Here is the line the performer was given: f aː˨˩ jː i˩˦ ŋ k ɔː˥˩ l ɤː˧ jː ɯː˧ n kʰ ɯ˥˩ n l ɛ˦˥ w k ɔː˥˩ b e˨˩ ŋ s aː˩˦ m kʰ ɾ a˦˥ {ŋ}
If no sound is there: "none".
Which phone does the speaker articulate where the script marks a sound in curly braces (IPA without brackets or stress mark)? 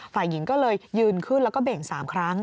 ŋ